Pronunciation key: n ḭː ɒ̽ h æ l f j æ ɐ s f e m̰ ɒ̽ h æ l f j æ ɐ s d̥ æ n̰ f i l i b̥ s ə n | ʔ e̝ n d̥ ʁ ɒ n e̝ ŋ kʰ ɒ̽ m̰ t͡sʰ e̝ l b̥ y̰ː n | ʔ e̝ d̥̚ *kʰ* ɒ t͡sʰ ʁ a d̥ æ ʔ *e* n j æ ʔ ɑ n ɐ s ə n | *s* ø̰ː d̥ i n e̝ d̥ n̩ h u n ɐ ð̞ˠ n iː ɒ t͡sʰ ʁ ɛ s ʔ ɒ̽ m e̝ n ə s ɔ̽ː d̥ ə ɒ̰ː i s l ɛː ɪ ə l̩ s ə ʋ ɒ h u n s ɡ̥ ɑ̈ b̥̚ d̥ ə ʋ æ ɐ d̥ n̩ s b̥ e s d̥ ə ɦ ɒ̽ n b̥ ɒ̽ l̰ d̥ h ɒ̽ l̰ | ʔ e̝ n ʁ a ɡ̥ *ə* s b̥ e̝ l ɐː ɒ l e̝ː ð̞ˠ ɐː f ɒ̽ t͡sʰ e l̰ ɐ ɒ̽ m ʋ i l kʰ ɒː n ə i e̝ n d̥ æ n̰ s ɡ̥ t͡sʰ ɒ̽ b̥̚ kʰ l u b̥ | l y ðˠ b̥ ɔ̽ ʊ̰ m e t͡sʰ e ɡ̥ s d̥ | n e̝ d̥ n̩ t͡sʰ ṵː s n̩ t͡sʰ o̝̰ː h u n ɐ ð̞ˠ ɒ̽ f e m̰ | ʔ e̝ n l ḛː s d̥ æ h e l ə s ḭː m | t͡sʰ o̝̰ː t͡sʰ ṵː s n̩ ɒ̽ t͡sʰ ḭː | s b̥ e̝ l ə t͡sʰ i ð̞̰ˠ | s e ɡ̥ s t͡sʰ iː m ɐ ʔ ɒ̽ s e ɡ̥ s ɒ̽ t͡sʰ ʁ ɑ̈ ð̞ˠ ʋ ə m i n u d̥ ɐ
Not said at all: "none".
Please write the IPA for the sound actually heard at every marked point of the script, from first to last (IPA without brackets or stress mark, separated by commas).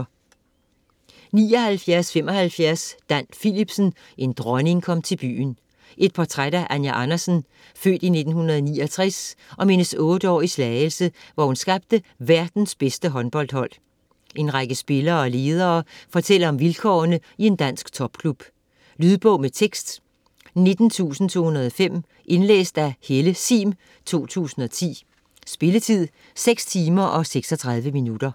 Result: pʰ, æ, f, ə